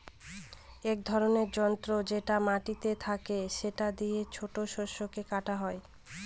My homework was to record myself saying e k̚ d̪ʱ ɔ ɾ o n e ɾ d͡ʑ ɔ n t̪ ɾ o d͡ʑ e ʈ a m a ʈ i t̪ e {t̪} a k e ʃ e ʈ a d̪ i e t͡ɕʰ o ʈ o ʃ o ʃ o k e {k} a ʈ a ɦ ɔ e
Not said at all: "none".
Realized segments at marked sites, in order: t̪ʰ, k

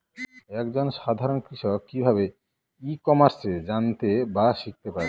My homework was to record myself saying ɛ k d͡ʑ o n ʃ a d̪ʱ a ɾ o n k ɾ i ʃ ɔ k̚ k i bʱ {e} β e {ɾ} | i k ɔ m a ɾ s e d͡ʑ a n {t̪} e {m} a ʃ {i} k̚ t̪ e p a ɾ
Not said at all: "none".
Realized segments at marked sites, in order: a, none, t̪, b, i

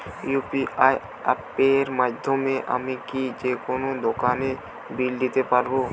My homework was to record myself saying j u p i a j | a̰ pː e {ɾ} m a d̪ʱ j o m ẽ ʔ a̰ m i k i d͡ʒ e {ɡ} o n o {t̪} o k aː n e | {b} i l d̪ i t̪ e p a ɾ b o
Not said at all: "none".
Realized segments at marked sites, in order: ɾ, k, d̪, b

